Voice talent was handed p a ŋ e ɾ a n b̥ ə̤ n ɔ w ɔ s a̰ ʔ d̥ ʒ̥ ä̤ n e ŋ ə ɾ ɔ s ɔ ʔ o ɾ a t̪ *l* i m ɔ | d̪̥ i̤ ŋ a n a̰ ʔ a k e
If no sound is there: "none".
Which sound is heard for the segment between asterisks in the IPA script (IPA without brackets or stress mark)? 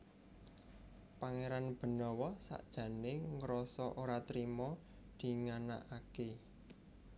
ɾ